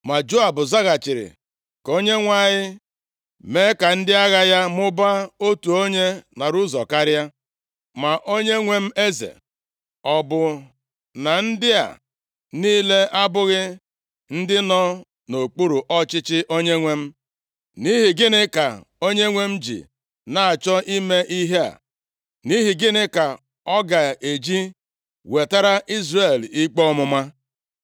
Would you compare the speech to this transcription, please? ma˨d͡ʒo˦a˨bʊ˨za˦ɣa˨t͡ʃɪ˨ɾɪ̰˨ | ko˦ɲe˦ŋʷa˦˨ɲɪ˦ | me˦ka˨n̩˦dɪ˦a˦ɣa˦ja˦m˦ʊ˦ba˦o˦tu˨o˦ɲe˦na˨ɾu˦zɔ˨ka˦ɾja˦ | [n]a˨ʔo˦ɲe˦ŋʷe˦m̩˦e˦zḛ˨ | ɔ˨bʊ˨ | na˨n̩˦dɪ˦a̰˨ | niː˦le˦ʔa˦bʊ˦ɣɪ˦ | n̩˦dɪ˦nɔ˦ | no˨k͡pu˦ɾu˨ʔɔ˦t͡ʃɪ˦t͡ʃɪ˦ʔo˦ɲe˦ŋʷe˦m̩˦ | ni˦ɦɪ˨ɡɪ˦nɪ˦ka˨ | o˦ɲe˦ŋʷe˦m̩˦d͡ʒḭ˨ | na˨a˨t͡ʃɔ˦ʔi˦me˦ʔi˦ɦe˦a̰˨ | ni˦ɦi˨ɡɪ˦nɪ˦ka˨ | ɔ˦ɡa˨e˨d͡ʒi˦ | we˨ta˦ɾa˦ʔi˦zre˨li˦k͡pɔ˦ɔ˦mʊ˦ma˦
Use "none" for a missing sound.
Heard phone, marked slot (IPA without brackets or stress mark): m